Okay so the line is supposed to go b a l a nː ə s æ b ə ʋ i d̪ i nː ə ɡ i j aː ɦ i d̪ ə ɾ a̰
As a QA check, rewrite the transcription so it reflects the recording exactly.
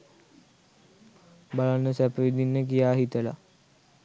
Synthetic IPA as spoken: b a l a nː ə s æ p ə ʋ i d̪ i nː ə k i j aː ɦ i t̪ ə l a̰

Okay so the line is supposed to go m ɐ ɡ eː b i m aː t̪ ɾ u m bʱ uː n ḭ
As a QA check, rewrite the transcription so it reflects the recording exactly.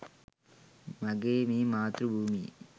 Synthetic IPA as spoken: m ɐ ɡ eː m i m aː t̪ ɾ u bʱ uː m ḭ

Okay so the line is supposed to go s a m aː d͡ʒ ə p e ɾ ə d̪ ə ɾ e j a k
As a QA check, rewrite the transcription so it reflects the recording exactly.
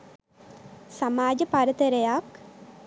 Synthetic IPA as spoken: s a m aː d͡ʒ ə p a ɾ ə t̪ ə ɾ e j a k

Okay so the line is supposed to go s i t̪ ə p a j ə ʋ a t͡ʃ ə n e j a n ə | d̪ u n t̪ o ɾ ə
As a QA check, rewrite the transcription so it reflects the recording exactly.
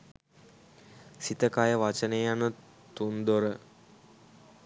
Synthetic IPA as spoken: s i t̪ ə k a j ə ʋ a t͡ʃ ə n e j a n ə | t̪ u n d̪ o ɾ ə

